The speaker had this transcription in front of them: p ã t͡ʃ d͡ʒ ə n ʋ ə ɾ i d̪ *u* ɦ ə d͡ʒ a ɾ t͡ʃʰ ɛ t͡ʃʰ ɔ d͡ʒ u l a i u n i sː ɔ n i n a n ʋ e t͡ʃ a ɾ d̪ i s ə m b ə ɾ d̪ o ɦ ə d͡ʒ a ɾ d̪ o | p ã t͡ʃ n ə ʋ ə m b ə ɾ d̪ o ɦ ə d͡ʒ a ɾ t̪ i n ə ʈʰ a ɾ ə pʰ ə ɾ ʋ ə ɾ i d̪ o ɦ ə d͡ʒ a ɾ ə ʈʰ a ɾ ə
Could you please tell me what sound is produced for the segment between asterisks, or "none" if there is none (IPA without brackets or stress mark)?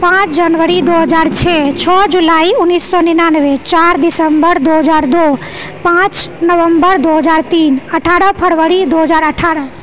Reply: o